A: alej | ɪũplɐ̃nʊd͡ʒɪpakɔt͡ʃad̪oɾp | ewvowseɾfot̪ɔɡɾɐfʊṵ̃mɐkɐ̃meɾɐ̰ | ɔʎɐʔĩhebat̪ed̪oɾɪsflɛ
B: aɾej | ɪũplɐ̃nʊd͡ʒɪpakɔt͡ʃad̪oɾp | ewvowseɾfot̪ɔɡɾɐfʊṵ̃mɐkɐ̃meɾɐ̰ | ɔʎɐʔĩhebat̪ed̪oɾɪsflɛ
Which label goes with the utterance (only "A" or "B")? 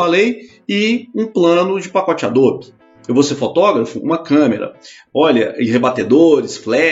A